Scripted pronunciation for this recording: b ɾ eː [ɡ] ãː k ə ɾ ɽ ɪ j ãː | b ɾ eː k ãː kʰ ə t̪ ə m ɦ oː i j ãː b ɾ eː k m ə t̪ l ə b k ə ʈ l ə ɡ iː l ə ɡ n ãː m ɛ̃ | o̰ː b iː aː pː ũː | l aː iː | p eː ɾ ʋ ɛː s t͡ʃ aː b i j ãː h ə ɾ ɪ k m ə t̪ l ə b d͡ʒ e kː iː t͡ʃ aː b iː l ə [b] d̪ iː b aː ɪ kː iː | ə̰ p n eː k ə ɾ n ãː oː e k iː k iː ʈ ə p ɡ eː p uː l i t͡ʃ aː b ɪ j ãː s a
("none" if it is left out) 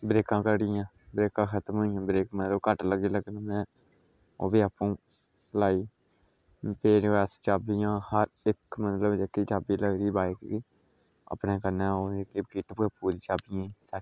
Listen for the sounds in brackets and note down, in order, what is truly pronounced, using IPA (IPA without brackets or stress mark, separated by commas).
k, ɡ